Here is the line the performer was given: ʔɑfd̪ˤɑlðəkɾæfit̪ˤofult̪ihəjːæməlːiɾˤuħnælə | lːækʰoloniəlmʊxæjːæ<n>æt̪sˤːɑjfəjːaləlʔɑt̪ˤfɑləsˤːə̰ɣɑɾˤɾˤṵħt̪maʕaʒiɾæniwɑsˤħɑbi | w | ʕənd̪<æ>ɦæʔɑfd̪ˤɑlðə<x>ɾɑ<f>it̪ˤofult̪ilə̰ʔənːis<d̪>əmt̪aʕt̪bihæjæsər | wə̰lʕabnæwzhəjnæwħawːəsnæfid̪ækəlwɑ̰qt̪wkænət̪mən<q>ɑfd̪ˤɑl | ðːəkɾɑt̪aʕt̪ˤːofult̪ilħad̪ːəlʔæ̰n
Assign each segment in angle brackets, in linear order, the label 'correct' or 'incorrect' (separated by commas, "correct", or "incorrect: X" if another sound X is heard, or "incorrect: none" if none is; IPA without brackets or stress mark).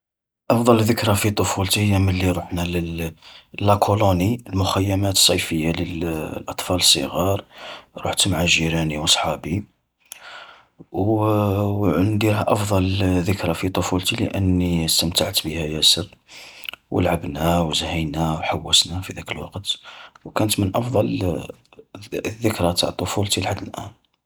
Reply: incorrect: m, incorrect: i, incorrect: k, correct, incorrect: t̪, incorrect: ʔ